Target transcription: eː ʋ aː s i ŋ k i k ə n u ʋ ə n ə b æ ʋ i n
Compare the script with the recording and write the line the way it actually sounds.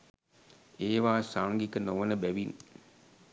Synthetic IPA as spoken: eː ʋ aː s a ŋ ɡ i k ə n o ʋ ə n ə b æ ʋ i n